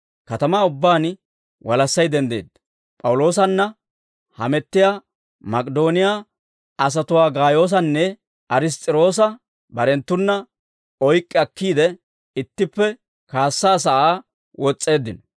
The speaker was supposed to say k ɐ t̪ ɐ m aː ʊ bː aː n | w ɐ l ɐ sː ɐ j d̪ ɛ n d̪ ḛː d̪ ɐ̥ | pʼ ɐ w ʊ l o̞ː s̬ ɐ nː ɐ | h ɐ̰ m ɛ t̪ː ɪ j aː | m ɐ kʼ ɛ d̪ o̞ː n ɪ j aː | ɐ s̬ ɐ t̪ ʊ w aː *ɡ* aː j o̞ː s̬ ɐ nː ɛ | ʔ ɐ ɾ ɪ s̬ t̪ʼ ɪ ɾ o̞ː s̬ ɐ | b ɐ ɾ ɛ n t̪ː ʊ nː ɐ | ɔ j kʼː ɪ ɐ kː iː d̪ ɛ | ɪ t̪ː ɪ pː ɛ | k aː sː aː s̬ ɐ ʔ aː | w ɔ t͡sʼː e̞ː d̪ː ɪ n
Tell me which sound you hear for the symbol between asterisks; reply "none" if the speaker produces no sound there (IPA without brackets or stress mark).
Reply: ɡ